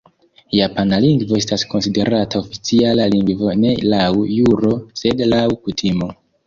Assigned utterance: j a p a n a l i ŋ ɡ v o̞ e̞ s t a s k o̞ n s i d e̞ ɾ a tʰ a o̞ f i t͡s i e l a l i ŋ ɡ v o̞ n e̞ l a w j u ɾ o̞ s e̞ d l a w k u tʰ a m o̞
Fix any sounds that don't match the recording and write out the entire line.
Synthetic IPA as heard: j a p a n a l i ŋ ɡ v o̞ e̞ s t a s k o̞ n s i d e̞ ɾ a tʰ a o̞ f i t͡s i a l a l i ŋ ɡ v o̞ n e̞ l a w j u ɾ o̞ s e̞ d l a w k u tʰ i m o̞